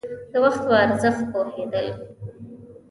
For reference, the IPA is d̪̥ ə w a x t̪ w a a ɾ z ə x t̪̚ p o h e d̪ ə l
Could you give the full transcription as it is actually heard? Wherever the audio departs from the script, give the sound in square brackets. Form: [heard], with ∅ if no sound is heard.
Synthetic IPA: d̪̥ ə w a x t̪ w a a ɾ z ə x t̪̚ p o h e d̪ ə l